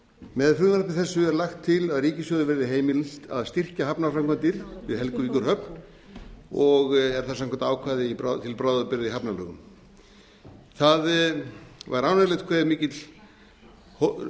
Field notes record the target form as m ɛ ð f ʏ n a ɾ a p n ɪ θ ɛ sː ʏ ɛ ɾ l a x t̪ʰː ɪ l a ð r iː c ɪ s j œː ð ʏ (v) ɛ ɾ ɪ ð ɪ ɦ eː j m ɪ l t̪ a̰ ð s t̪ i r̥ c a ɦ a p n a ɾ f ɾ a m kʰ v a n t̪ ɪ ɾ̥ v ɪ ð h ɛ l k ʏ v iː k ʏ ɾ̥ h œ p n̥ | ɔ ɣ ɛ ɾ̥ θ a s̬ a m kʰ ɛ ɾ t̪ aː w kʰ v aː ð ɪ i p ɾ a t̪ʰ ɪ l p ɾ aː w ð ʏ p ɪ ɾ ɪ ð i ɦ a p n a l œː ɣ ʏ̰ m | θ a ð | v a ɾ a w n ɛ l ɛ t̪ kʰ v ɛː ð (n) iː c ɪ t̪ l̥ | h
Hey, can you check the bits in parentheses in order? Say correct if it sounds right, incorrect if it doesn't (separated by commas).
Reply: correct, incorrect